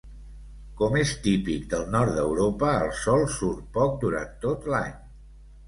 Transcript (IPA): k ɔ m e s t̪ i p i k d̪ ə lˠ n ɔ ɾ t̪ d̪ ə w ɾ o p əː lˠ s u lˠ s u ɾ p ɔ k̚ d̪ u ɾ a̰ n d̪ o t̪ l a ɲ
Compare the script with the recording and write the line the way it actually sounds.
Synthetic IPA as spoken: k ɔ m e s t̪ i p i k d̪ ə lˠ n ɔ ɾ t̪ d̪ ə w ɾ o p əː lˠ s ɔ lˠ s u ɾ p ɔ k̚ d̪ u ɾ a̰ n t̪ o t̪ l a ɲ